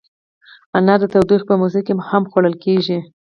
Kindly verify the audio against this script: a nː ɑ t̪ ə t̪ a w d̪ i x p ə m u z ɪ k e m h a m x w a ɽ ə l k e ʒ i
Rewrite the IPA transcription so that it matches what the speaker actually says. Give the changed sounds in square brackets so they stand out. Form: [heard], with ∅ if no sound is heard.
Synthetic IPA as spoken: a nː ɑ [d̪] ə t̪ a w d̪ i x p ə m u z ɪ k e m h a m x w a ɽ ə l k e ʒ i

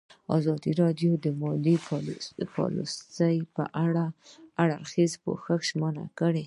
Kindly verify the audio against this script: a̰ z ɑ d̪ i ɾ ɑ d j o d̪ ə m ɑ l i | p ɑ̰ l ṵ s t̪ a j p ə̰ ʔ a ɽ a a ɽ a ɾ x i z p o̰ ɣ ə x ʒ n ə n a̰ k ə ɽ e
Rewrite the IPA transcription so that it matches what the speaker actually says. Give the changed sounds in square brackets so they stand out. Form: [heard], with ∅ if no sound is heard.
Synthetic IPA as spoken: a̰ z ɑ d̪ i ɾ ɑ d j o d̪ ə m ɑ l i | p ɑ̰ l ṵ s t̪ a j p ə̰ ʔ a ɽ a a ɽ a ɾ x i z p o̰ [x] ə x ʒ [m] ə n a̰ k ə ɽ e

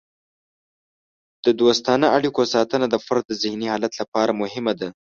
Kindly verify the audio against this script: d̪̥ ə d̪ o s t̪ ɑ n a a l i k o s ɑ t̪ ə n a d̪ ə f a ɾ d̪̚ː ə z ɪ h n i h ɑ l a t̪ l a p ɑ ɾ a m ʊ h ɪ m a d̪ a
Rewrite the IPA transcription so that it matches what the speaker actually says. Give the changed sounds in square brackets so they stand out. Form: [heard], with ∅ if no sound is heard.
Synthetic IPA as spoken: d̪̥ ə d̪ o s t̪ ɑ n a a [ɽ] i k o s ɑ t̪ ə n a d̪ ə f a ɾ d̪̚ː ə z ɪ h n i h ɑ l a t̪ l a p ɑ ɾ a m ʊ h ɪ m a d̪ a

